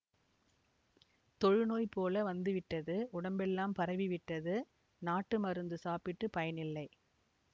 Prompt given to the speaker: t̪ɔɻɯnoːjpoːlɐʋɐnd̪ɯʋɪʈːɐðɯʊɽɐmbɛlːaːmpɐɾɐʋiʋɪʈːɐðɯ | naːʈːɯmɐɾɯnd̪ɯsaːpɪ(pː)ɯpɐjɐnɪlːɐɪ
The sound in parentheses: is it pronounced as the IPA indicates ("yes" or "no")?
no